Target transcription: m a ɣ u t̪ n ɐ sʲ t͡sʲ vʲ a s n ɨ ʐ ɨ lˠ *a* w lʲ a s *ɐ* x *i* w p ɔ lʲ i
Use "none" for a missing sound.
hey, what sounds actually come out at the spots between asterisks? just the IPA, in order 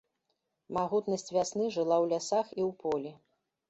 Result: a, a, i

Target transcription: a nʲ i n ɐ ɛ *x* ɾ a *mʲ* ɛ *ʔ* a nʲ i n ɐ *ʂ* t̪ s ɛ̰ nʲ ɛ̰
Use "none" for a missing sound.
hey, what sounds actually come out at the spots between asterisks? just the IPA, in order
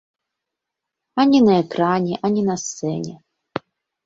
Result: k, nʲ, ʔ, s

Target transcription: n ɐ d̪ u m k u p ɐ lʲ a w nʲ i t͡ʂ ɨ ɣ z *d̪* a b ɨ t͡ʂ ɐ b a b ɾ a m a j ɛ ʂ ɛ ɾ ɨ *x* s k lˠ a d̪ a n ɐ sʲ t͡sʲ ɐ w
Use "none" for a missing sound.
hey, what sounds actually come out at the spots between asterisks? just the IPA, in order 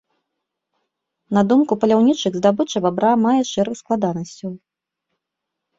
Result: d̪, x

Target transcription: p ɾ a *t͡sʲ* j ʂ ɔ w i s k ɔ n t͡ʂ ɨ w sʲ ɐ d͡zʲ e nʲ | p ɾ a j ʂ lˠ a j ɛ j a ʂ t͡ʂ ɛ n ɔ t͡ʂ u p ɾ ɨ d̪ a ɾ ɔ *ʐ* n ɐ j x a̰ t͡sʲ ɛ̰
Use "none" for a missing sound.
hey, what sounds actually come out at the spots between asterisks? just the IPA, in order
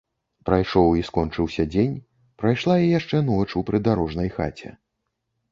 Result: none, ʐ

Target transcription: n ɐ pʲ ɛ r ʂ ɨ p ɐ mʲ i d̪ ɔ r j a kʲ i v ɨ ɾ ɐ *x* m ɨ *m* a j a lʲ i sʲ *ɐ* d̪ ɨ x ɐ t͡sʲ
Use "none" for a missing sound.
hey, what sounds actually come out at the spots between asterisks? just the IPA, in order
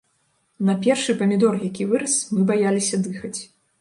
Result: s, b, ɐ

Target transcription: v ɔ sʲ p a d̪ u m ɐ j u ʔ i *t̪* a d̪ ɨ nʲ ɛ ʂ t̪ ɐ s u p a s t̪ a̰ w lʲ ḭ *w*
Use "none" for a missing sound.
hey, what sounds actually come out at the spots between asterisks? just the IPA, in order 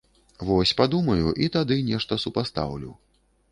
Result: t̪, w

